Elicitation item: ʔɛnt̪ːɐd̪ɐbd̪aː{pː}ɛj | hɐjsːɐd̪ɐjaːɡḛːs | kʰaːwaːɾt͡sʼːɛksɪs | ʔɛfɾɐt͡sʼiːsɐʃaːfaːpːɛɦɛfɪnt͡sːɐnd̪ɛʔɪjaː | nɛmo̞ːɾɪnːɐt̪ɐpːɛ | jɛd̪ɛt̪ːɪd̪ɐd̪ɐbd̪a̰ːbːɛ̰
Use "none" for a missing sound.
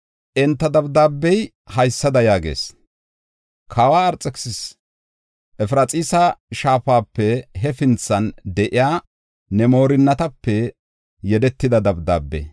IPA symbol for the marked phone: bː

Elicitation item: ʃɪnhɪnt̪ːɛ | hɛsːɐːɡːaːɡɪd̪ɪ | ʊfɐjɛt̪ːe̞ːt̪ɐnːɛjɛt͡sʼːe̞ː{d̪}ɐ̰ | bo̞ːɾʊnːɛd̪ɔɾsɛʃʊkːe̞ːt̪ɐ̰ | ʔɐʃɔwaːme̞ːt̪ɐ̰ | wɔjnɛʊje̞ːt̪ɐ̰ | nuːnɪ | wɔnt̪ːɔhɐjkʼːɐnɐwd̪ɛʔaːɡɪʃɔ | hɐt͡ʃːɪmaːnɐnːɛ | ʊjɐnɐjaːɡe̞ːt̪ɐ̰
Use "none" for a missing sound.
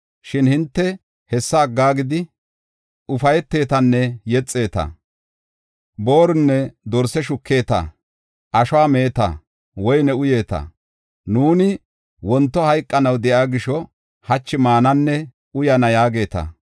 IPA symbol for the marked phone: t̪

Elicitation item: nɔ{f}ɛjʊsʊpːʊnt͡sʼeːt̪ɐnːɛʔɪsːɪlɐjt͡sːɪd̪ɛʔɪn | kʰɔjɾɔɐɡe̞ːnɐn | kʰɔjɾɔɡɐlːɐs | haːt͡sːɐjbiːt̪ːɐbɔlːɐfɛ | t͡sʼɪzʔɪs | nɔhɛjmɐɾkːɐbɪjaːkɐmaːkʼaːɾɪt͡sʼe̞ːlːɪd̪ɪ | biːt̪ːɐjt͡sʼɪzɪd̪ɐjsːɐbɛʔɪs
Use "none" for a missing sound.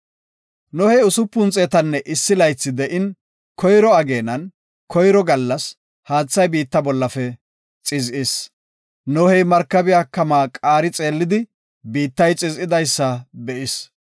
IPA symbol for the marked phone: h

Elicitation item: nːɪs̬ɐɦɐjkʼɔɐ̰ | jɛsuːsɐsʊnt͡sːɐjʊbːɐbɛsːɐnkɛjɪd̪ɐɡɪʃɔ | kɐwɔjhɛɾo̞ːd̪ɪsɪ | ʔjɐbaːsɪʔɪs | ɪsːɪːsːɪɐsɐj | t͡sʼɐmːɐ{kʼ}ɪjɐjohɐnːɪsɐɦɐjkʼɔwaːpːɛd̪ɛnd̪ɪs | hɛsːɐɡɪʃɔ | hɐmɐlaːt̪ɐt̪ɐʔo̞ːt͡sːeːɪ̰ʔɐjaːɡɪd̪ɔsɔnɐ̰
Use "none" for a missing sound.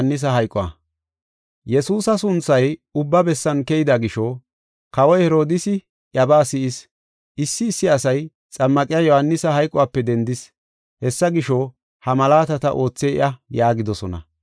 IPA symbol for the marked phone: kʼ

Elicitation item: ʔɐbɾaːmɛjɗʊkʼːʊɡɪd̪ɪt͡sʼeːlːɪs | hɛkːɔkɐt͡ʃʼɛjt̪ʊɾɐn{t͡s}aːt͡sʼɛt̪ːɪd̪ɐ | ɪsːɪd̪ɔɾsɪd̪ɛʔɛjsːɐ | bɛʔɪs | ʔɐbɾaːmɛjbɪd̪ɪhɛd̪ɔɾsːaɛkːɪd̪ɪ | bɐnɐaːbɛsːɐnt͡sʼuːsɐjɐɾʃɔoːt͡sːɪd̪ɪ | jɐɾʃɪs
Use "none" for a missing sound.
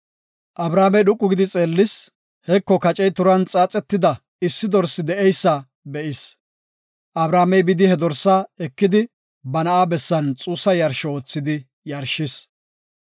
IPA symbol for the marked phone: t͡sʼ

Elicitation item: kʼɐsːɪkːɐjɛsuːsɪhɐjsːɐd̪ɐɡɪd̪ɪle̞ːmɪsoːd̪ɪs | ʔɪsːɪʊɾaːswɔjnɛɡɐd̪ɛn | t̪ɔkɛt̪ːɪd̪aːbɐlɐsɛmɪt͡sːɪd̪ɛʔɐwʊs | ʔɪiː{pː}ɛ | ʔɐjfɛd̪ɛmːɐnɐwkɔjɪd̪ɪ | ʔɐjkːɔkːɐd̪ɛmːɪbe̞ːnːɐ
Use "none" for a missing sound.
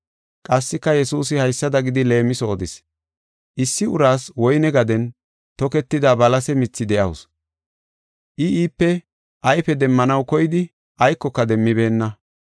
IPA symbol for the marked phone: pː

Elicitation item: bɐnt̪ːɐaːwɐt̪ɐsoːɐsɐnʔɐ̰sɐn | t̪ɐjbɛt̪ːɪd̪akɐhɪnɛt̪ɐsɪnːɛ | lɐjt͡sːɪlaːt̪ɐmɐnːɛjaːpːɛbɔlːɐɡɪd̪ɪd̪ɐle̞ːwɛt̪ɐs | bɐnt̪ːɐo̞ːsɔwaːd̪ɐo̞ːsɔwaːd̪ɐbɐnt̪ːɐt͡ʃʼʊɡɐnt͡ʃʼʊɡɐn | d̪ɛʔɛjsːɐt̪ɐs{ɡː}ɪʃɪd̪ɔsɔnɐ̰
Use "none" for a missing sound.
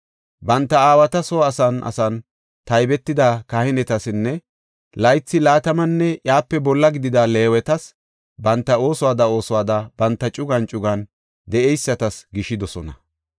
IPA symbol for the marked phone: ɡ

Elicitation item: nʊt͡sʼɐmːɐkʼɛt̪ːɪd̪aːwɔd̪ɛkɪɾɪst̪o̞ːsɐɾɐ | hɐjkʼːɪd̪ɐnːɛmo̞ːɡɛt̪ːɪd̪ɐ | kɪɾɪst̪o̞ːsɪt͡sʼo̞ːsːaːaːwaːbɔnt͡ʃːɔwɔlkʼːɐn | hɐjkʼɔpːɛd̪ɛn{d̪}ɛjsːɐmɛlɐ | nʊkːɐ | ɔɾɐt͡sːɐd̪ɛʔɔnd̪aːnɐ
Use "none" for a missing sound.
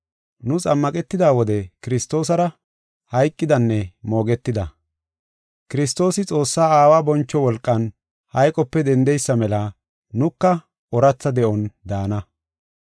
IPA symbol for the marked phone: d̪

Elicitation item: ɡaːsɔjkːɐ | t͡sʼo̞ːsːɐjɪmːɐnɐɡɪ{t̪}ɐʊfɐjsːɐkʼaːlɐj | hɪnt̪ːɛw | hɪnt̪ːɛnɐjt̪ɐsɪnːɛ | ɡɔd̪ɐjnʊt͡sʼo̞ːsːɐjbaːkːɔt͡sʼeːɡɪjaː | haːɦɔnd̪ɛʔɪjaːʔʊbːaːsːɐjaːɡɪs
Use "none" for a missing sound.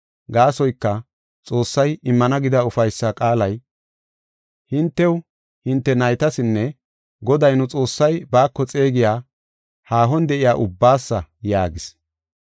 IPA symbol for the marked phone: d̪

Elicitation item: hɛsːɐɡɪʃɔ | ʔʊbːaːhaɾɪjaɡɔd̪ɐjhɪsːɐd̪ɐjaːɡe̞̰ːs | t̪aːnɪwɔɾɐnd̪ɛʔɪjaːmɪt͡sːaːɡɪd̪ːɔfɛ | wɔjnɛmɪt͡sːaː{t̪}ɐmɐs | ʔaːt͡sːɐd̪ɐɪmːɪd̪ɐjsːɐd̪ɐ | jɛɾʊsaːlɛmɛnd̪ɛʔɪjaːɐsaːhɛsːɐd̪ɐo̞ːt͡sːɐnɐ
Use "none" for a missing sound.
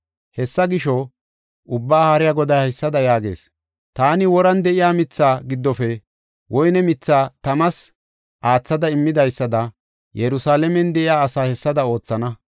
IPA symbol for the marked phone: t̪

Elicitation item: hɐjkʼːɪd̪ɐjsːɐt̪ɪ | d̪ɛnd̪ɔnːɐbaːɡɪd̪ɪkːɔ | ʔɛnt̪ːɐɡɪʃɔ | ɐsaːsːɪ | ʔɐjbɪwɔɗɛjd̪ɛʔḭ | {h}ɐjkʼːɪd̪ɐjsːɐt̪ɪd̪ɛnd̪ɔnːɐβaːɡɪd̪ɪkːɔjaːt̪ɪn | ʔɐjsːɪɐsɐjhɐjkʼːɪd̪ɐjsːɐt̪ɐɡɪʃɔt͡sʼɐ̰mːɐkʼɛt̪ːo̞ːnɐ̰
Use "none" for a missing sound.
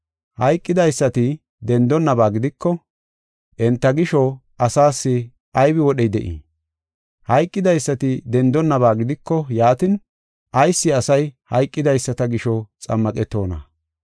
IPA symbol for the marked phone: h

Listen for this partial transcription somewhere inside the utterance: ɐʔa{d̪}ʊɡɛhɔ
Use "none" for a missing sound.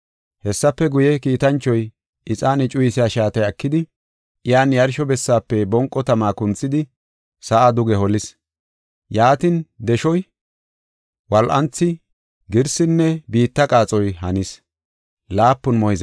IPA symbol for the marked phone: d̪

